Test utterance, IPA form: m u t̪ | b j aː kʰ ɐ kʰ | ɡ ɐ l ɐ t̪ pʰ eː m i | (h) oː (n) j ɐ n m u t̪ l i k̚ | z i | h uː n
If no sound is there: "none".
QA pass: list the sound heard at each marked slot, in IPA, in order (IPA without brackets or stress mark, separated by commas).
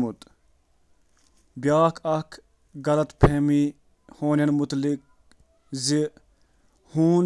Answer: h, n